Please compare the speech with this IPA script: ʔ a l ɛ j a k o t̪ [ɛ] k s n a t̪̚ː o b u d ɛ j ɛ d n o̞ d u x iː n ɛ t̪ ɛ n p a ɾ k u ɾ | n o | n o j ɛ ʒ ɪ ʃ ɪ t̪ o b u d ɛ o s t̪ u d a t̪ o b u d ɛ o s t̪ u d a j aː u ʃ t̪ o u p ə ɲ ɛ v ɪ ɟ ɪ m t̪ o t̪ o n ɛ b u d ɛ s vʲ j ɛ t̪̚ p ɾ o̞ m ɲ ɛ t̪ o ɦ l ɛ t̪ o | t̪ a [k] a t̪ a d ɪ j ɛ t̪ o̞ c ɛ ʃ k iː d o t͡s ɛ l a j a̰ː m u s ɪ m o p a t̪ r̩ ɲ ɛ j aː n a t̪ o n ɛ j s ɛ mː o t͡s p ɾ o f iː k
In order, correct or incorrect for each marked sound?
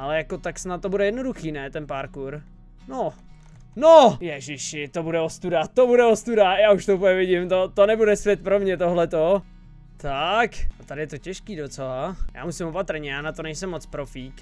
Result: incorrect, correct

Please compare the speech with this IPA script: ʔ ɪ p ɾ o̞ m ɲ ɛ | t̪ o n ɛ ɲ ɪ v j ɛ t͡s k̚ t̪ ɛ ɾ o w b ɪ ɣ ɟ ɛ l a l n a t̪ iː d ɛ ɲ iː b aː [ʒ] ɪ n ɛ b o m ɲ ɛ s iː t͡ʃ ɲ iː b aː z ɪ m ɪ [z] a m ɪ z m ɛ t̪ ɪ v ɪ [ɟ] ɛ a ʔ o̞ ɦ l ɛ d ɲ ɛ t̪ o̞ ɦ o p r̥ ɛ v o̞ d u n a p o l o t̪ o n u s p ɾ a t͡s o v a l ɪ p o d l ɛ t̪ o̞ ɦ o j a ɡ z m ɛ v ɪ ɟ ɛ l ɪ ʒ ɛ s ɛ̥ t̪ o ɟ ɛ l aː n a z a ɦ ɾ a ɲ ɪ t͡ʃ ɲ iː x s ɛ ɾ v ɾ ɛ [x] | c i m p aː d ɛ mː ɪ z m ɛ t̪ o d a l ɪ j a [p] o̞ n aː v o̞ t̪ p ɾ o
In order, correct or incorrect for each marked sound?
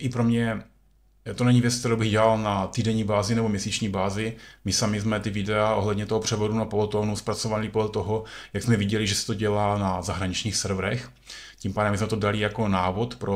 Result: incorrect, incorrect, incorrect, correct, incorrect

